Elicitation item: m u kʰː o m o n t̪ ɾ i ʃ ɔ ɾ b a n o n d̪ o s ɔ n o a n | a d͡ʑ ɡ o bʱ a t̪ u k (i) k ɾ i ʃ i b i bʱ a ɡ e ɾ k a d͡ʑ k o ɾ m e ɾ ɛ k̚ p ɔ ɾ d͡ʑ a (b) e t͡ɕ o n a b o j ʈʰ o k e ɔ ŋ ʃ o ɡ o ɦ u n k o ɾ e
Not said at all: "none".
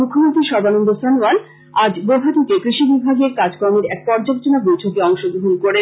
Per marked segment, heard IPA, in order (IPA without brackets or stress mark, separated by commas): e, b